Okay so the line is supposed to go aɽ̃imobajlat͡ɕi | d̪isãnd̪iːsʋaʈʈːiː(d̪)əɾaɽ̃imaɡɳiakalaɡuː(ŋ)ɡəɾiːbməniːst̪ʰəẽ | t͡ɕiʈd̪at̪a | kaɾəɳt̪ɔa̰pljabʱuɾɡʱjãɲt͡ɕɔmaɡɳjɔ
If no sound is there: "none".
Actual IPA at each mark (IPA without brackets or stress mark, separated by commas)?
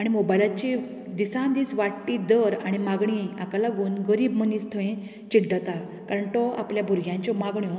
d̪, n